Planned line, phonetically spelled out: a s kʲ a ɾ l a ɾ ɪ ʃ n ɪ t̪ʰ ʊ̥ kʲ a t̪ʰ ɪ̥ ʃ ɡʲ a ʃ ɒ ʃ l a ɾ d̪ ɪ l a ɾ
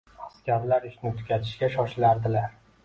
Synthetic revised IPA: a s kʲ a ɾ l a ɾ ɪ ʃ n ɪ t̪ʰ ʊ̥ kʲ a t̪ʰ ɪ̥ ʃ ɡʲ a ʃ ɒ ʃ l a ɾ d̪ ɪ l a ɾ